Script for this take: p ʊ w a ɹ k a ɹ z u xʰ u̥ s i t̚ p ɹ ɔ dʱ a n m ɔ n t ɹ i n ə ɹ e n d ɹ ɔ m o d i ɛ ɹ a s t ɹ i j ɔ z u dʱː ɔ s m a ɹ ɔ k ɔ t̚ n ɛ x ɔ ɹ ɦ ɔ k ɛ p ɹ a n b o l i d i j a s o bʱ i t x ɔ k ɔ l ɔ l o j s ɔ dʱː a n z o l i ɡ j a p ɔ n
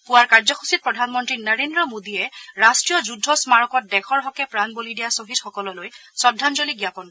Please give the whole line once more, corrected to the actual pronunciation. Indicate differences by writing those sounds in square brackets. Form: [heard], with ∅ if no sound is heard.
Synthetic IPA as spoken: p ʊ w a ɹ k a ɹ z [ɔ] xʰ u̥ s i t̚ p ɹ ɔ dʱ a n m ɔ n t ɹ i n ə ɹ e n d ɹ ɔ m o d i ɛ ɹ a s t ɹ i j ɔ z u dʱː ɔ s m a ɹ ɔ k ɔ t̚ [d] ɛ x ɔ ɹ ɦ ɔ k ɛ p ɹ a n b o l i d i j a s o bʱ i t x ɔ k ɔ l ɔ l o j s ɔ dʱː a n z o l i ɡ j a p ɔ n

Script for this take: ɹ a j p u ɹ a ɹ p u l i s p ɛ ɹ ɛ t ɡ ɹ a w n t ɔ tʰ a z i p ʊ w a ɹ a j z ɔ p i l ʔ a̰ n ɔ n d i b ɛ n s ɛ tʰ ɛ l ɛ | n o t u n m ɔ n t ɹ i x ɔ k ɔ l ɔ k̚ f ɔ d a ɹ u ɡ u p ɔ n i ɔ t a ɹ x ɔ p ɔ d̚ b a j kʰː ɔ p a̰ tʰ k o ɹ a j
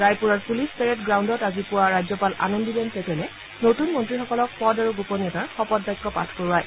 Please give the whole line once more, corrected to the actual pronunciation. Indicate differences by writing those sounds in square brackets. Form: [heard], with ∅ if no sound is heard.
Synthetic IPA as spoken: ɹ a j p u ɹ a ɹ p u l i s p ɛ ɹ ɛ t ɡ ɹ a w n [d] ɔ [t] a z i p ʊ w a ɹ a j z ɔ p [a] l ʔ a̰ n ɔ n d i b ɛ n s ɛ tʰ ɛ l ɛ | n o t u n m ɔ n t ɹ i x ɔ k ɔ l ɔ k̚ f ɔ d a ɹ u ɡ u p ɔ n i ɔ t a ɹ x ɔ p ɔ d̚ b a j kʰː ɔ p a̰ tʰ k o ɹ a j

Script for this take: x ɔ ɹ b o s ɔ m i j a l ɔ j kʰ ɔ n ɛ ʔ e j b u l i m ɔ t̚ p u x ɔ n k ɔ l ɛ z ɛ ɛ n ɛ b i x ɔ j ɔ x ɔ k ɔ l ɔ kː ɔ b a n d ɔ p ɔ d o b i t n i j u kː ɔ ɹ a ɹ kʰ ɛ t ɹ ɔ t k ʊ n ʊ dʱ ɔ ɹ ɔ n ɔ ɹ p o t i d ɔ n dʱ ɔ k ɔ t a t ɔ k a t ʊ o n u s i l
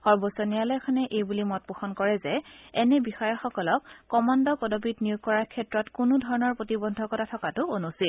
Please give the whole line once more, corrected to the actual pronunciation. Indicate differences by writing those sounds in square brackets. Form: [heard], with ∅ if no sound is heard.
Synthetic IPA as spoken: x ɔ ɹ b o s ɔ [n] i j a l ɔ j kʰ ɔ n ɛ ʔ e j b u l i m ɔ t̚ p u x ɔ n k ɔ [ɹ] ɛ z ɛ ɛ n ɛ b i x ɔ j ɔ x ɔ k ɔ l ɔ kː ɔ [m] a n d ɔ p ɔ d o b i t n i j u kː ɔ ɹ a ɹ kʰ ɛ t ɹ ɔ t k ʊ n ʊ dʱ ɔ ɹ ɔ n ɔ ɹ p o t i [b] ɔ n dʱ ɔ k ɔ t a [tʰ] ɔ k a t ʊ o n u s i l

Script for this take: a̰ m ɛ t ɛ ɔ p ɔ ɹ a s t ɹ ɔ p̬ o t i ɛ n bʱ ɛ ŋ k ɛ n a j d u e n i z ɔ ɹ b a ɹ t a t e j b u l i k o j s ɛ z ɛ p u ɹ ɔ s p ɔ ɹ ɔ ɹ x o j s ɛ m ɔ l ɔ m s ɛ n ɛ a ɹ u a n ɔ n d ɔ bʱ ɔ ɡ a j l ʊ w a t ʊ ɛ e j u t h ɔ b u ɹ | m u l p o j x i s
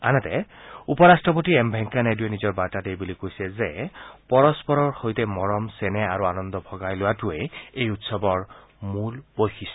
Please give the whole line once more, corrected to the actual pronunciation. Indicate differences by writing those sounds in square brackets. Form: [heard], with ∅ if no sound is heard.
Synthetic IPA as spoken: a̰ [n] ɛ t ɛ [u] p ɔ ɹ a s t ɹ ɔ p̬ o t i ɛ [m] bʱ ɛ ŋ k [a] n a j d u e n i z ɔ ɹ b a ɹ t a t e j b u l i k o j s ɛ z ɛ p [ɔ] ɹ ɔ s p ɔ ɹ ɔ ɹ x o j [t] ɛ m ɔ [ɹ] ɔ m s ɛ n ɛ a ɹ u a n ɔ n d ɔ bʱ ɔ ɡ a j l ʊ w a t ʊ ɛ e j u t [s] ɔ b [ɔ] ɹ | m u l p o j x i s

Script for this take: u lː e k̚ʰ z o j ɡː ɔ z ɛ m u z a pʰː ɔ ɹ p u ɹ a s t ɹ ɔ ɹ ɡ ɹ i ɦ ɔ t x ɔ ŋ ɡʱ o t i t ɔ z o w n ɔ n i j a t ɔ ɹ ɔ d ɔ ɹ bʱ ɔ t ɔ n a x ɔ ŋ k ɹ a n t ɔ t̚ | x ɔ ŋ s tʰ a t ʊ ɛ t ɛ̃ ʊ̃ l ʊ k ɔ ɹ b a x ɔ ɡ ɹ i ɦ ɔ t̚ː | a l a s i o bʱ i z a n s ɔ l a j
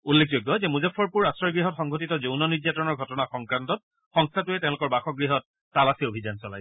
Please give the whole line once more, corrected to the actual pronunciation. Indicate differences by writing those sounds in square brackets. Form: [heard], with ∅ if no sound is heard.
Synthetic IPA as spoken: u lː e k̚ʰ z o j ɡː ɔ z ɛ m u z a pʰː ɔ ɹ p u ɹ a s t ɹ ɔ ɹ ɡ ɹ i ɦ ɔ t x ɔ ŋ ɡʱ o t i t ɔ z o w n ɔ n i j a t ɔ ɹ ɔ [n] ɔ ɹ [ɡʱ] ɔ t ɔ n a x ɔ ŋ k ɹ a n t ɔ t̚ | x ɔ ŋ s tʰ a t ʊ ɛ t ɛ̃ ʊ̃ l ʊ k ɔ ɹ b a x ɔ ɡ ɹ i ɦ ɔ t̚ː | a l a s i o bʱ i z a n s ɔ l a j

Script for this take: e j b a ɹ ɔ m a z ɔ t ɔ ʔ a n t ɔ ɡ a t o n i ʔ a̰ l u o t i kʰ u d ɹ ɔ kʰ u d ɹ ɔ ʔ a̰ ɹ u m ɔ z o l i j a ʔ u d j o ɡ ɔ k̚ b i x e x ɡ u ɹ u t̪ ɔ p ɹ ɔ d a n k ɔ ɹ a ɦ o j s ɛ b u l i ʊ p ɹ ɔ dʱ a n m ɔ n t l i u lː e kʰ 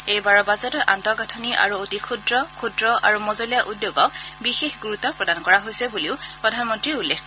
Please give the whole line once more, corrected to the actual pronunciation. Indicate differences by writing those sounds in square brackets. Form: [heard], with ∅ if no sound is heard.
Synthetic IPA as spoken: e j b a ɹ ɔ [b] a z ɔ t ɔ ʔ a n t ɔ ɡ a [tʰ] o n i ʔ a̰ [ɹ] u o t i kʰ u d ɹ ɔ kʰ u d ɹ ɔ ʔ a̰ ɹ u m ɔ z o l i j a ʔ u d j o ɡ ɔ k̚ b i x e x ɡ u ɹ u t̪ ɔ p ɹ ɔ d a n k ɔ ɹ a ɦ o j s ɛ b u l i ʊ p ɹ ɔ dʱ a n m ɔ n t [ɹ] i u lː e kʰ

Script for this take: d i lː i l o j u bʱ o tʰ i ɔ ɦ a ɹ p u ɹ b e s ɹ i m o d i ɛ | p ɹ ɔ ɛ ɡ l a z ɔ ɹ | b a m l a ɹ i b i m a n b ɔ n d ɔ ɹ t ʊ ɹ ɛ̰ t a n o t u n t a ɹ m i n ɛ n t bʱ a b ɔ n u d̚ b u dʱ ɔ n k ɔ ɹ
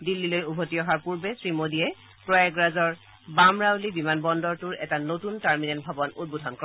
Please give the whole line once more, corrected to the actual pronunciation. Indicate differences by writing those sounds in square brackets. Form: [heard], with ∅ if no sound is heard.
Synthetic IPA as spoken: d i lː i l o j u bʱ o [t] i ɔ ɦ a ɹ p u ɹ b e s ɹ i m o d i ɛ | p ɹ ɔ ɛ ɡ [ɹ] a z ɔ ɹ | b a m [ɹ] a [l] i b i m a n b ɔ n d ɔ ɹ t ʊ ɹ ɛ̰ t a n o t u n t a ɹ m i n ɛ n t bʱ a b ɔ n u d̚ b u dʱ ɔ n k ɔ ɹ

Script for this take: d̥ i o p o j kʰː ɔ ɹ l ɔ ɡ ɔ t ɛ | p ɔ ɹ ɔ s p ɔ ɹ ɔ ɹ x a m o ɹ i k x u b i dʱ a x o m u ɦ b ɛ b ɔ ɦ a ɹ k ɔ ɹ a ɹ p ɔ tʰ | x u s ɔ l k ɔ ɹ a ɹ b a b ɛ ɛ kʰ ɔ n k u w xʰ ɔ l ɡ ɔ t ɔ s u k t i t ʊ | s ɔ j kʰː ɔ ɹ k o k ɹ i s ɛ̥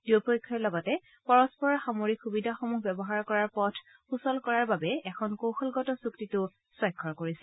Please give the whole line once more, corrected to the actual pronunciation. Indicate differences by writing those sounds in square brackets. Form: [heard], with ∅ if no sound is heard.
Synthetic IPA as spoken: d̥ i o p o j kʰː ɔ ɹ l ɔ ɡ ɔ t ɛ | p ɔ ɹ ɔ s p ɔ ɹ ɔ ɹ x a m o ɹ i k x u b i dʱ a x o m u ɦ b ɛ b ɔ ɦ a ɹ k ɔ ɹ a ɹ p ɔ tʰ | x u s ɔ l k ɔ ɹ a ɹ b a b ɛ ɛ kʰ ɔ n k [o] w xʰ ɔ l ɡ ɔ t ɔ s u k t i t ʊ | s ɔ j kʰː ɔ ɹ k o [∅] ɹ i s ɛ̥

